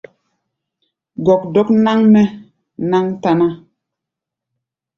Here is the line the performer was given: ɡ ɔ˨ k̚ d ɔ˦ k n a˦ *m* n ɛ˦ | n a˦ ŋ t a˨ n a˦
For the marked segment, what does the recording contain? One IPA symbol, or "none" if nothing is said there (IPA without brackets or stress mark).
ŋ